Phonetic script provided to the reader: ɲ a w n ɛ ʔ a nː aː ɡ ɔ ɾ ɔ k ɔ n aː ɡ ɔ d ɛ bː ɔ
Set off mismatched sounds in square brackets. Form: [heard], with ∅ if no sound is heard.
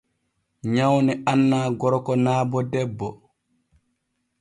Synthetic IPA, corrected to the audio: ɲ a w n ɛ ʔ a nː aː ɡ ɔ ɾ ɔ k ɔ n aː [b] ɔ d ɛ bː ɔ